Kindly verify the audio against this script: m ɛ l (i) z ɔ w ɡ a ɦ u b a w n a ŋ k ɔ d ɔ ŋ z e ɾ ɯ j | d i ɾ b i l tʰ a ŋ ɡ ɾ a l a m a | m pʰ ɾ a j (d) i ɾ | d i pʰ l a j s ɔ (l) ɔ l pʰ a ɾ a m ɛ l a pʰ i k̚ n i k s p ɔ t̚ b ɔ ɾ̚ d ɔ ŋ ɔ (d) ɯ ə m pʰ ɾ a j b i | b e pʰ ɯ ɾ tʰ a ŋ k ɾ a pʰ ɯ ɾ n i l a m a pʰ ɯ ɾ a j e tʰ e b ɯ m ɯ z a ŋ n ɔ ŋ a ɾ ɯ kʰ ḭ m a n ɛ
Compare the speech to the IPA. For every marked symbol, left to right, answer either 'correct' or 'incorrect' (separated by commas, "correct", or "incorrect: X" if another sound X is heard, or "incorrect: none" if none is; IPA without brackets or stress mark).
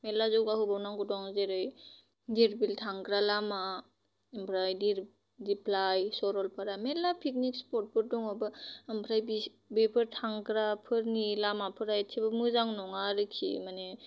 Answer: incorrect: a, correct, incorrect: ɾ, incorrect: b